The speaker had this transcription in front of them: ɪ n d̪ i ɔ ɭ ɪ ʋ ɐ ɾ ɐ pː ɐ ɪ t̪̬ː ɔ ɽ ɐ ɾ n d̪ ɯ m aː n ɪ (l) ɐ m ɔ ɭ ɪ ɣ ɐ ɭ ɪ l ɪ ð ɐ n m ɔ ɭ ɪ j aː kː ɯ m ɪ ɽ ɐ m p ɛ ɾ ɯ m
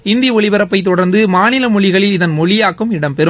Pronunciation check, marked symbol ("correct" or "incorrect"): correct